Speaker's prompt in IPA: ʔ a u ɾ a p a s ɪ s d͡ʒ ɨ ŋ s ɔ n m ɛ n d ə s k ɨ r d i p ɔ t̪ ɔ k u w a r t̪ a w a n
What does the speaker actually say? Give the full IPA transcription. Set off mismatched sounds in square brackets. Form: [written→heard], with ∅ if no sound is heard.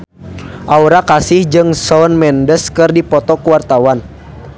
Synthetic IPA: ʔ a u ɾ a [p→k] a s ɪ [s→h] d͡ʒ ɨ ŋ s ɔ n m ɛ n d ə s k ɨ r d i p ɔ t̪ ɔ k u w a r t̪ a w a n